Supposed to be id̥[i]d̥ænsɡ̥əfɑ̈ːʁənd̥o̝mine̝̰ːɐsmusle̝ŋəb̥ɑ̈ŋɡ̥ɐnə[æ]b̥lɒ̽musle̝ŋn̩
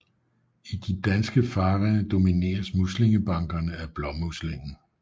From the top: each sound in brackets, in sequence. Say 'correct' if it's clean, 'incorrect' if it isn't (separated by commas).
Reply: correct, correct